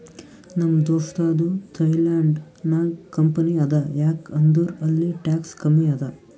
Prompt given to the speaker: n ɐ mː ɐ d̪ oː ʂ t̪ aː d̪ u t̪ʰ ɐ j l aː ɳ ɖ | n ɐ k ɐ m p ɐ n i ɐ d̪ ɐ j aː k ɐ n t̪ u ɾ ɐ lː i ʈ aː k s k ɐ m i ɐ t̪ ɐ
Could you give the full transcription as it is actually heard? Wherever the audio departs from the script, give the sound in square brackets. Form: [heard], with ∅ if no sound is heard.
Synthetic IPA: n ɐ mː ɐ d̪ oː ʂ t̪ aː d̪ u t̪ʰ ɐ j l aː ɳ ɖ | n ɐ k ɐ m p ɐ n i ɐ d̪ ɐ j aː k ɐ n [d̪] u ɾ ɐ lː i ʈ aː k s k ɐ m i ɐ [d̪] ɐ